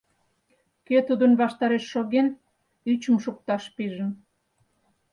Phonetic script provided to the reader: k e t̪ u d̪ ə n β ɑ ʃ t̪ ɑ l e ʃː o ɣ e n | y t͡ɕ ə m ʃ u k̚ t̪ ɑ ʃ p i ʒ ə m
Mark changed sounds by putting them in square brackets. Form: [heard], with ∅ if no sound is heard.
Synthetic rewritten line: k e t̪ u d̪ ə n β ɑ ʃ t̪ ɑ [ɾ] e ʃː o ɣ e n | y t͡ɕ ə m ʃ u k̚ t̪ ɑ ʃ p i ʒ ə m

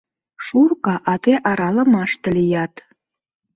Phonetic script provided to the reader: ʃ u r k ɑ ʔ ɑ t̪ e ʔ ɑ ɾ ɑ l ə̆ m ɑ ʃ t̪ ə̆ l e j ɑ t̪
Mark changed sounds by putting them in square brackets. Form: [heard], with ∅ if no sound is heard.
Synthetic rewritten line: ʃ u r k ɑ ʔ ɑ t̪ e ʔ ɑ ɾ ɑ l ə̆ m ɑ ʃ t̪ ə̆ l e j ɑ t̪

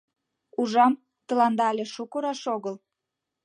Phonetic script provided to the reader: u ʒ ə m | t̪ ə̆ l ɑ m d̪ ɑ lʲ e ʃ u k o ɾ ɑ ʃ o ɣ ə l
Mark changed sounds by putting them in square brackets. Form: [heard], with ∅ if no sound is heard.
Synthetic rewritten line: u ʒ [ɑ] m | t̪ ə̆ l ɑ [n] d̪ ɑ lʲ e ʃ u k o ɾ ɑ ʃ o ɣ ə l

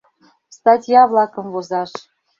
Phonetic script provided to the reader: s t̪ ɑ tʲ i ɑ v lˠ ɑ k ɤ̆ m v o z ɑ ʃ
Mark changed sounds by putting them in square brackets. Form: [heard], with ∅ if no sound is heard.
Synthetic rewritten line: s t̪ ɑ tʲ [j] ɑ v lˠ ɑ k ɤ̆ m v o z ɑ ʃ

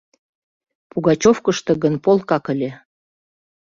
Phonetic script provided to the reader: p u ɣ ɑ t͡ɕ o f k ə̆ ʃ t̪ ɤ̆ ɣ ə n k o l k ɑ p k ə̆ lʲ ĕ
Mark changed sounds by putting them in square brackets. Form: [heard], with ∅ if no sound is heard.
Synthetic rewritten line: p u ɣ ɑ t͡ɕ o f k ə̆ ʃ t̪ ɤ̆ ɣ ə n [p] o l k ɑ [∅] k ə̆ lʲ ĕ

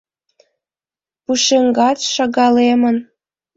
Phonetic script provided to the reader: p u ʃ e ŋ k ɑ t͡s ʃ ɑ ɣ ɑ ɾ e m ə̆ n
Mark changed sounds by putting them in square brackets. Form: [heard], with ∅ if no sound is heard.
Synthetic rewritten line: p u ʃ e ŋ [ɡ] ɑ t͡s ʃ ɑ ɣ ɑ [l] e m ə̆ n

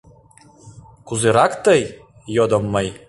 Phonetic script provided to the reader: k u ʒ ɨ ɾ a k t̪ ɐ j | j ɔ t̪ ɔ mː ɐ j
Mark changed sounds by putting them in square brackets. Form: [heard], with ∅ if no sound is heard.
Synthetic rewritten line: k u [z] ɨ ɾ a k t̪ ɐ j | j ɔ [d̪] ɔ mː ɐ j

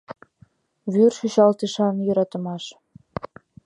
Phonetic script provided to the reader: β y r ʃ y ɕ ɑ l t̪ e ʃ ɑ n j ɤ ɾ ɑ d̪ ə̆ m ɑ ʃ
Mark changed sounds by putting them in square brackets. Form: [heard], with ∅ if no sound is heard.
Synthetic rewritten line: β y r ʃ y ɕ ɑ l t̪ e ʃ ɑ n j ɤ ɾ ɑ [t̪] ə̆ m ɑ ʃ

